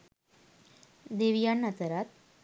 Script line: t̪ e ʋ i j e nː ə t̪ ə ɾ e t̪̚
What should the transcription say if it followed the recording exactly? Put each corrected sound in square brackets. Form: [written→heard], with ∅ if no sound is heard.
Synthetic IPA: [t̪→d̪] e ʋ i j [e→a] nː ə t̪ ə ɾ [e→a] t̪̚